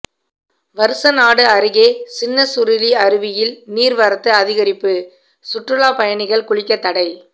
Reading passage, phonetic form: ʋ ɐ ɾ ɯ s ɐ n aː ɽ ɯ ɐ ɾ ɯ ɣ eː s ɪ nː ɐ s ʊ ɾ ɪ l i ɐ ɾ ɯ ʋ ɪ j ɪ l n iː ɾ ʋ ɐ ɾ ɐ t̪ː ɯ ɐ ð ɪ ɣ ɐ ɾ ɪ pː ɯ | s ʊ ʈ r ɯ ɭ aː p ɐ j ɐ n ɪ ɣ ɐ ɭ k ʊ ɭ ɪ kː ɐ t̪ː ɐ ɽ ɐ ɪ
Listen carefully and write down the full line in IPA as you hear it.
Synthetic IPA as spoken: ʋ ɐ ɾ ɯ s ɐ n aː ɽ ɯ ɐ ɾ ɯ ɣ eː s ɪ nː ɐ s ʊ ɾ ɪ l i ɐ ɾ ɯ ʋ ɪ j ɪ l n iː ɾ ʋ ɐ ɾ ɐ t̪ː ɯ ɐ ð ɪ ɣ ɐ ɾ ɪ pː ɯ | s ʊ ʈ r ɯ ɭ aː p ɐ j ɐ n ɪ ɣ ɐ ɭ k ʊ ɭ ɪ kː ɐ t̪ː ɐ ɽ ɐ ɪ